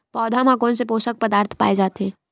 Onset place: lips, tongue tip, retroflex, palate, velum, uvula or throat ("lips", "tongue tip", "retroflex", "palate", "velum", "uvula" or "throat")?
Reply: lips